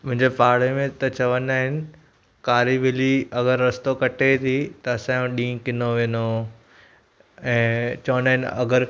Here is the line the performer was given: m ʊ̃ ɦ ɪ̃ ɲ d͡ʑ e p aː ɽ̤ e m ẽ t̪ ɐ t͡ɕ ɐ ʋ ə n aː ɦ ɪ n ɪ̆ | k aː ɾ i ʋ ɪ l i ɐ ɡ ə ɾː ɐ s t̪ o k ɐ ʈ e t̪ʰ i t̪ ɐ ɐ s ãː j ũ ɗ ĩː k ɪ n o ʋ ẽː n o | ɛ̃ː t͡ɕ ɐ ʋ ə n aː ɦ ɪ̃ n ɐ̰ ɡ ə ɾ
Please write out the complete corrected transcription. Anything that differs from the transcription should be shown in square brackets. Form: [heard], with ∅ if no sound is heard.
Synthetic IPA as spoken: m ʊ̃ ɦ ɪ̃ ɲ d͡ʑ e p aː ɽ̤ e m ẽ t̪ ɐ t͡ɕ ɐ ʋ ə n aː ɦ ɪ n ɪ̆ | k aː ɾ i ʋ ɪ l i ɐ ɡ ə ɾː ɐ s t̪ o k ɐ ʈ e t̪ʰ i t̪ ɐ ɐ s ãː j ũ ɗ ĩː k ɪ n o ʋ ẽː n o | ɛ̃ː t͡ɕ ɐ ʋ ə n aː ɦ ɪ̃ n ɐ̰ ɡ ə ɾ